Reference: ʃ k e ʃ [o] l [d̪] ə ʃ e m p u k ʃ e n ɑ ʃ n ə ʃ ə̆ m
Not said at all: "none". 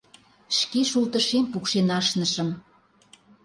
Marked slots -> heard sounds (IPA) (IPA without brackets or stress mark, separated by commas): u, t̪